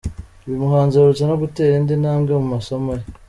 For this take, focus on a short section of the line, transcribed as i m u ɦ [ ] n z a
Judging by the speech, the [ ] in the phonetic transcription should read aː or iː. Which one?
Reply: aː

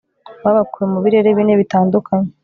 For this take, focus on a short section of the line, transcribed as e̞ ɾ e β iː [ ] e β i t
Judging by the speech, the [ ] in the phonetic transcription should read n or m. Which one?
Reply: n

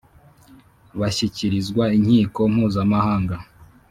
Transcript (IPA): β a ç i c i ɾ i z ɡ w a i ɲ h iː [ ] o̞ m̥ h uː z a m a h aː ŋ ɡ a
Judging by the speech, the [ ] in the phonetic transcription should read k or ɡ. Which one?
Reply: k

